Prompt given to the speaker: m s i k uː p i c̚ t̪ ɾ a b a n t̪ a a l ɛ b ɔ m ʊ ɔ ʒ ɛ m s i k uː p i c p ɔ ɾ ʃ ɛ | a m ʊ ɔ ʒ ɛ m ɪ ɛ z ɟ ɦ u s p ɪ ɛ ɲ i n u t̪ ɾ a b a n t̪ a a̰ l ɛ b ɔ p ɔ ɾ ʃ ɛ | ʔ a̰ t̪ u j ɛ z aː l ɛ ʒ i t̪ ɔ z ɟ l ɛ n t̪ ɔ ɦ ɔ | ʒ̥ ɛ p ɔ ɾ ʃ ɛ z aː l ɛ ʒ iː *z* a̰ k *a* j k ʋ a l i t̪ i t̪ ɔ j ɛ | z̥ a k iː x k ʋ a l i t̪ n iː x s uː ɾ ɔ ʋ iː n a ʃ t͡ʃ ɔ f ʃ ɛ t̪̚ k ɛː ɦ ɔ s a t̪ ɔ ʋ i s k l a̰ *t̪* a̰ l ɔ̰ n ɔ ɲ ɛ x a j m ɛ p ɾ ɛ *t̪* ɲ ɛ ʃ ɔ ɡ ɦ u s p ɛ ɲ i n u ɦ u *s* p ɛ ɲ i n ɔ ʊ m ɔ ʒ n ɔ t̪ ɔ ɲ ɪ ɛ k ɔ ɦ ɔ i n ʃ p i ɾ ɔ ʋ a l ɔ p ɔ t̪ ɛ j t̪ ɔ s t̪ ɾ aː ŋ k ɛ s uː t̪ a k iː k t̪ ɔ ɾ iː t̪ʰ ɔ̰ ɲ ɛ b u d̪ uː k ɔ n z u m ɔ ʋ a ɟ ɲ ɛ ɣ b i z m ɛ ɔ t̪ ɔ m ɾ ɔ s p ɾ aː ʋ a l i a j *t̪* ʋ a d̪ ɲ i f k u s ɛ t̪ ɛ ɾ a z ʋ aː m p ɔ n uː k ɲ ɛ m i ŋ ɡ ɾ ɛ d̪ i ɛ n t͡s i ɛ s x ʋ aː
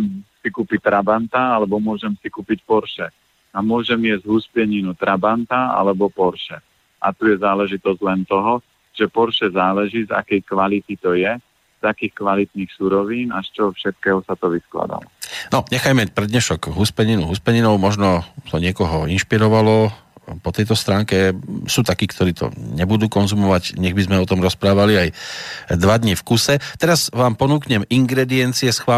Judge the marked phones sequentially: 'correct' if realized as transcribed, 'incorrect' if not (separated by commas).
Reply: correct, incorrect, incorrect, incorrect, correct, incorrect